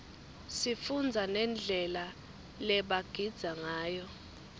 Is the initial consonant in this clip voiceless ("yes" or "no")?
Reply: yes